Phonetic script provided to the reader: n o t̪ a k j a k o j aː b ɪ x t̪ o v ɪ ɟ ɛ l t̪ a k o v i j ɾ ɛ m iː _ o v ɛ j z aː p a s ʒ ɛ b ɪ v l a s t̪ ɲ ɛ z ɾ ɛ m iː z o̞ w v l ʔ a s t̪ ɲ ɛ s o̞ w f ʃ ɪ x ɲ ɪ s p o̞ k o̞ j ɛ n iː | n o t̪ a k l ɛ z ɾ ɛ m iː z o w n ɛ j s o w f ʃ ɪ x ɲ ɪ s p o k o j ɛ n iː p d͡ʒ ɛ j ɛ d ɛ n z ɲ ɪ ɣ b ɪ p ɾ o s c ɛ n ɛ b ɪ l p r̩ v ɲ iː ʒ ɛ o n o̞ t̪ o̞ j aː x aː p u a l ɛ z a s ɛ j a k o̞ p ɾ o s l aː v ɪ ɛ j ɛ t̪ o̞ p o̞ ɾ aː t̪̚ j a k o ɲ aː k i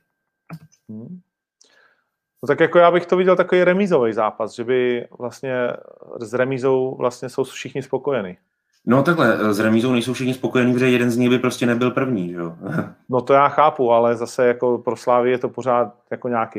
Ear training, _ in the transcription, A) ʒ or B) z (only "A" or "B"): B